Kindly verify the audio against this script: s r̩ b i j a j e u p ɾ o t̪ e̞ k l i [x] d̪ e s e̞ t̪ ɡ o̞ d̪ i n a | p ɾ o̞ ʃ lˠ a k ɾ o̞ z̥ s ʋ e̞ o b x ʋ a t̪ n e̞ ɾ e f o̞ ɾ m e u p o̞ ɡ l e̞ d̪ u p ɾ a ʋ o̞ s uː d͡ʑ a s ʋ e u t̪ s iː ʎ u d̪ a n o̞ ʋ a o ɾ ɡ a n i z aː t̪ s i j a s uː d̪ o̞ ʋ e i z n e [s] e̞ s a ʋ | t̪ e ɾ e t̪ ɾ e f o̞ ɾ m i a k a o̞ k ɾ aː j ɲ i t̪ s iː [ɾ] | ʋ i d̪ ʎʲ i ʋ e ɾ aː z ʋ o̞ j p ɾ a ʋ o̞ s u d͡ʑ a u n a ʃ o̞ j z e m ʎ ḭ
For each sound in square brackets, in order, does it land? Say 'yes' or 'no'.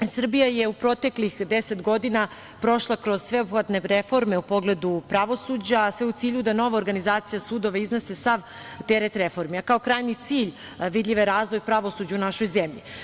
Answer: yes, yes, no

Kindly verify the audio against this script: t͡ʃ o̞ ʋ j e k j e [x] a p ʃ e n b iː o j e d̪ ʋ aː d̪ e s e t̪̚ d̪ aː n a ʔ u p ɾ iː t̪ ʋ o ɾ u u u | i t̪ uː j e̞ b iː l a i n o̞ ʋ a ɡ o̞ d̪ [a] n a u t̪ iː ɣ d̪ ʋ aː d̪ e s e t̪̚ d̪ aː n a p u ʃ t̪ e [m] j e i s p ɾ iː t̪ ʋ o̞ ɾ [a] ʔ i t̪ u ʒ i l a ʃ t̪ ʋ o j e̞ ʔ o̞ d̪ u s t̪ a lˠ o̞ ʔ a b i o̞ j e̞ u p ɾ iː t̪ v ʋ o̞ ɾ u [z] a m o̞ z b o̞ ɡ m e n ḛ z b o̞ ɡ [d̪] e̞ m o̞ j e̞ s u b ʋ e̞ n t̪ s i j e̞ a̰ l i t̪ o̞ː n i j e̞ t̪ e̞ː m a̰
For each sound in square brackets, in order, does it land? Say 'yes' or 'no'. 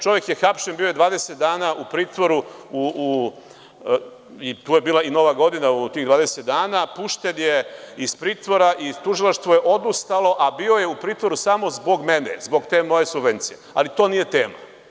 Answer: yes, no, no, yes, no, no

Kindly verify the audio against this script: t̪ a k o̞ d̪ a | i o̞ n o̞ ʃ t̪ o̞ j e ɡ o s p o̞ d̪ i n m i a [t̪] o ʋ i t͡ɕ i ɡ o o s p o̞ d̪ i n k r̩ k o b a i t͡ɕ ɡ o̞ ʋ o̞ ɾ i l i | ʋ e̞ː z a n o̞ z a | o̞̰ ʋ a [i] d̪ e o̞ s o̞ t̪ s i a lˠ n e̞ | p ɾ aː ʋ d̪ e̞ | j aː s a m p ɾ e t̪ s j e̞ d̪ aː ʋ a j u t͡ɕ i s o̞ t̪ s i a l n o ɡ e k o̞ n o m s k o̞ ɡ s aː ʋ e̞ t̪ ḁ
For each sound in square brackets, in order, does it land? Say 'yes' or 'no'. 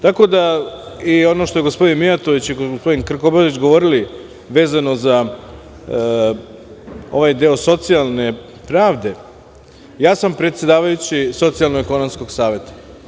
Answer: yes, no

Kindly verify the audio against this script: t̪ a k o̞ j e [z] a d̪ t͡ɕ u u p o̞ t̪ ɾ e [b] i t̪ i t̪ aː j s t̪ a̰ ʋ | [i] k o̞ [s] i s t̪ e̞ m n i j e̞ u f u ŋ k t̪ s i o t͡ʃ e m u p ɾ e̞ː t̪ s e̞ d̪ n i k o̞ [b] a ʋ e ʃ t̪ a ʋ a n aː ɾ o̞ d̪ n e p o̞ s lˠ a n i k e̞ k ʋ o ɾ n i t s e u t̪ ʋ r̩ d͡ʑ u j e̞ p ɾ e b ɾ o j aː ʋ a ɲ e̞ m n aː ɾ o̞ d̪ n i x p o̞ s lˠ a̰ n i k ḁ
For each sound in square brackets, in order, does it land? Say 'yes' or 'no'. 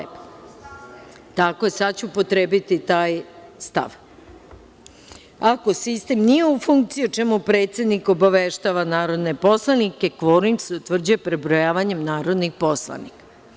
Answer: no, yes, no, yes, yes

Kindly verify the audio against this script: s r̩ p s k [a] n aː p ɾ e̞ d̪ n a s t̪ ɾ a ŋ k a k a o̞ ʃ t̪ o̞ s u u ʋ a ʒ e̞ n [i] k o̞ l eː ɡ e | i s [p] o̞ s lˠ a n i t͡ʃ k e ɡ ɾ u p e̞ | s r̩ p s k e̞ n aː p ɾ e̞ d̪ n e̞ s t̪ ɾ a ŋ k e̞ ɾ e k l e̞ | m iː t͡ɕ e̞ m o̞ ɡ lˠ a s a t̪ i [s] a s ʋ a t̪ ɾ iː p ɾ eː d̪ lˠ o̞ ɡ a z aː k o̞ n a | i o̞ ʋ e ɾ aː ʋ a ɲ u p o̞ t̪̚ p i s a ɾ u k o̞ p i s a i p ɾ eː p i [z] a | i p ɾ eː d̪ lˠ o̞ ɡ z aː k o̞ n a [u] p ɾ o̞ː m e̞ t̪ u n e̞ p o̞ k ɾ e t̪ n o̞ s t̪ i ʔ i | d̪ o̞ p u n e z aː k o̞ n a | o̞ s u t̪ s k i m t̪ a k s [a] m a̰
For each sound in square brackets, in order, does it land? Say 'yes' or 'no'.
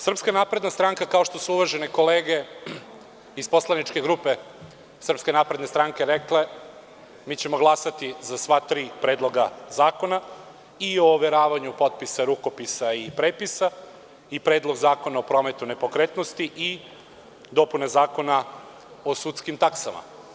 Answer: yes, no, yes, no, no, no, yes

